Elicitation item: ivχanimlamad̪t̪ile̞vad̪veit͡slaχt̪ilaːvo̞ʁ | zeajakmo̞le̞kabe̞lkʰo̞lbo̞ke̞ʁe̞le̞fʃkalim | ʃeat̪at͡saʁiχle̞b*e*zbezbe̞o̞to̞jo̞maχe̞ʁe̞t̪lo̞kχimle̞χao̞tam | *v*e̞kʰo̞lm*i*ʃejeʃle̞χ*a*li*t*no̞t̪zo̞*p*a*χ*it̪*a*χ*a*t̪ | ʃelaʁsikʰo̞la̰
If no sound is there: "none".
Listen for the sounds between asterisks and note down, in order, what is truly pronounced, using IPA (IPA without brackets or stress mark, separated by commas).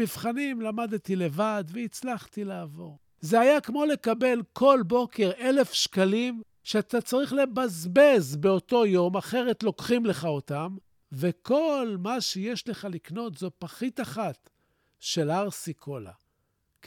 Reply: a, v, a, a, k, p, χ, a, a